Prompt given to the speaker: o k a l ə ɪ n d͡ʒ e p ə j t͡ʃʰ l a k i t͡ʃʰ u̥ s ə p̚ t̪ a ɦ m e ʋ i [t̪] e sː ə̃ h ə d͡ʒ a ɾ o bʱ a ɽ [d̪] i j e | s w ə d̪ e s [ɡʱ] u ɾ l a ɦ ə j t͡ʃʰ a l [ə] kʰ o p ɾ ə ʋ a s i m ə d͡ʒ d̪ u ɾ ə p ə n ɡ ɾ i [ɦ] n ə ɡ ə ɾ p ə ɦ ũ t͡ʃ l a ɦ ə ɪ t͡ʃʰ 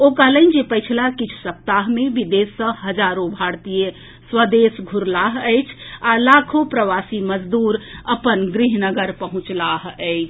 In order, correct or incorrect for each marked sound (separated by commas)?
incorrect, incorrect, correct, incorrect, correct